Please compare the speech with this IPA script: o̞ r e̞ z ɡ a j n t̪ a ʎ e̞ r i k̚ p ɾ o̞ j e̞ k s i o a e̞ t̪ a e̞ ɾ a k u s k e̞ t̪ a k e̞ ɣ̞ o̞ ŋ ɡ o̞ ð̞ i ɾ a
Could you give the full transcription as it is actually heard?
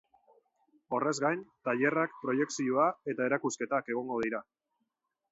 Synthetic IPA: o̞ r e̞ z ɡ a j n t̪ a ʎ e̞ r a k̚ p ɾ o̞ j e̞ k s i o a e̞ t̪ a e̞ ɾ a k u s k e̞ t̪ a k e̞ ɣ̞ o̞ ŋ ɡ o̞ ð̞ i ɾ a